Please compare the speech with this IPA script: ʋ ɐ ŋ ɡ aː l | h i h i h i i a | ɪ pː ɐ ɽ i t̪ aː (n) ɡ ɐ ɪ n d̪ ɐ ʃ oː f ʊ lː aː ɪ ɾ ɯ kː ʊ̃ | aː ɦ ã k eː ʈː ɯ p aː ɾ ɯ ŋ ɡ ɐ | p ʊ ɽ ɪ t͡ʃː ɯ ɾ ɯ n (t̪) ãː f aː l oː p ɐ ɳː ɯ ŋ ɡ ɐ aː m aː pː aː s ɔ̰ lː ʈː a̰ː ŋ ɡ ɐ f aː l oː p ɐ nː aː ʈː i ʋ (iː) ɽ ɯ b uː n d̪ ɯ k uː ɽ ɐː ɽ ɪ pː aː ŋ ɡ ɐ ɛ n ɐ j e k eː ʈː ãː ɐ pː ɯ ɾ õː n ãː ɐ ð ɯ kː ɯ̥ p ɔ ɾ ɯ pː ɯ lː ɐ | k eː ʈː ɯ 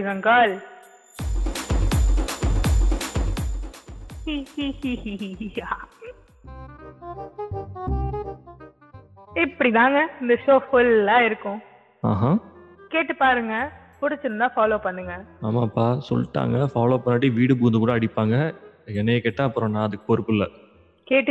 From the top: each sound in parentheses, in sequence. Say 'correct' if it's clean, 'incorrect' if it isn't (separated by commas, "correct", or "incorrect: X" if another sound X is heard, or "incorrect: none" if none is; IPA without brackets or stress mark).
incorrect: ŋ, incorrect: d̪, correct